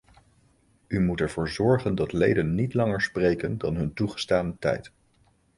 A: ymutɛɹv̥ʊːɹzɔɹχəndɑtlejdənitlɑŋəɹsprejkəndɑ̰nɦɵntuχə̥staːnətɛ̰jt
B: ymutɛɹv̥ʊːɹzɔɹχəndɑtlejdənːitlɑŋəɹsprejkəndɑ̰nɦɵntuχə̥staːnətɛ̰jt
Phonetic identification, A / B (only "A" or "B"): B